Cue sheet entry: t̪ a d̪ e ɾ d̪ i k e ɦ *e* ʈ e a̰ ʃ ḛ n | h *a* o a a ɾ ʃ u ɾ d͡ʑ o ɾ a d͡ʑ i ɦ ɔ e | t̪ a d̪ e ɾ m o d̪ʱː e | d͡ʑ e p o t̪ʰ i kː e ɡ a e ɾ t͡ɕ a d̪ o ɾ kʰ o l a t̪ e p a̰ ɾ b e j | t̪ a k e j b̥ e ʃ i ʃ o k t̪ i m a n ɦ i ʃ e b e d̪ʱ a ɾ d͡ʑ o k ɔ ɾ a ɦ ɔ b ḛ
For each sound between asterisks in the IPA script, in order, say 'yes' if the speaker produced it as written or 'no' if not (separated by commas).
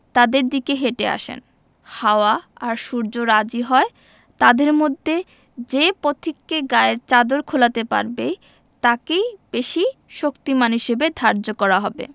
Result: yes, yes